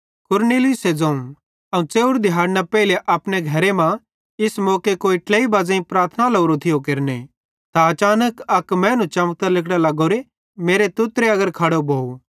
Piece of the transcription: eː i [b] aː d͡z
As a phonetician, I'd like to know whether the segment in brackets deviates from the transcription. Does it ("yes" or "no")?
no